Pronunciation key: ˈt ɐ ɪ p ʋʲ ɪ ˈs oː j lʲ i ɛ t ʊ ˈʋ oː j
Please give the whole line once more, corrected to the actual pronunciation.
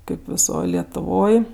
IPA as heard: ˈk ɐ ɪ p ʋʲ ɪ ˈs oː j lʲ i ɛ t ʊ ˈʋ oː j